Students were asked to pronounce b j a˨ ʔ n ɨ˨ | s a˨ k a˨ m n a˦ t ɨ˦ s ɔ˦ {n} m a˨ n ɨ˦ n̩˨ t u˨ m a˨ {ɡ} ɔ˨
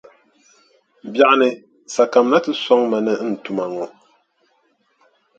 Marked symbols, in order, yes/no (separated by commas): no, no